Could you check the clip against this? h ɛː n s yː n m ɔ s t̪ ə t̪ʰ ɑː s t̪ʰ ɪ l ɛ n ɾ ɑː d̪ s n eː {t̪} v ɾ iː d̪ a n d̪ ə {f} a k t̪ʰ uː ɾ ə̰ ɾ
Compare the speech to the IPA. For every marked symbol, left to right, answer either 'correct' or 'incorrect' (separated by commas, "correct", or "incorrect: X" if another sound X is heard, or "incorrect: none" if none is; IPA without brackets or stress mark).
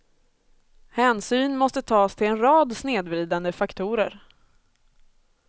incorrect: d̪, correct